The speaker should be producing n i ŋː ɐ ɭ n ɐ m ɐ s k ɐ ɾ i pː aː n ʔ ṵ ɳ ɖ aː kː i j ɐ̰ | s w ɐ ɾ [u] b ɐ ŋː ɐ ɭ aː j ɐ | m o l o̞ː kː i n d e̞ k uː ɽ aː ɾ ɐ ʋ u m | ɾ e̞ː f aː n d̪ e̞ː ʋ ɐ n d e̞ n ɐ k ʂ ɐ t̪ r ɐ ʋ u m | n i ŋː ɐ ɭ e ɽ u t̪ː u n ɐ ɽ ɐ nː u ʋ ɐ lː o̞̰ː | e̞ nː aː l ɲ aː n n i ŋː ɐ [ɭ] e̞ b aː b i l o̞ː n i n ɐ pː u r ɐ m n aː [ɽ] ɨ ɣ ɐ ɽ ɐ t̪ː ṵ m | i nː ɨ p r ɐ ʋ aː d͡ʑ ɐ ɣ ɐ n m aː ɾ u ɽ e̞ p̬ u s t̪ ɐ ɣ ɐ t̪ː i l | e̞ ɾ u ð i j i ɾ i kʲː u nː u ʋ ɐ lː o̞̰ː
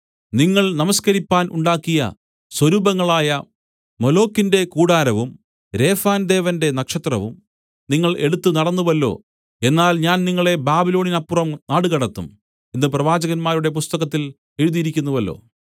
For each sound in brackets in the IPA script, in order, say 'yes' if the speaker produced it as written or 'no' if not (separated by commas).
no, yes, yes